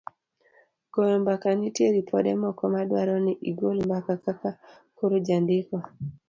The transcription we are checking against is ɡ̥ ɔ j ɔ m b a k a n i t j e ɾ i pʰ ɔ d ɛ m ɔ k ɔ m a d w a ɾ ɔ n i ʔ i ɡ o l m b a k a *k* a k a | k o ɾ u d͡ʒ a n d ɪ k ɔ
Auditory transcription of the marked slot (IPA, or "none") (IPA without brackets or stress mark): k